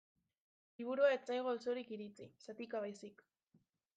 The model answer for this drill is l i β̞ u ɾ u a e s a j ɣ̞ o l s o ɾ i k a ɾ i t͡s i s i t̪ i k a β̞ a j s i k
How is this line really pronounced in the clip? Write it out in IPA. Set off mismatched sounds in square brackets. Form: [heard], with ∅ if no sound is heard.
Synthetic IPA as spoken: l i β̞ u ɾ u a e [t͡s] a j ɣ̞ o l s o ɾ i k [i] ɾ i t͡s i s [a] t̪ i k a β̞ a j s i k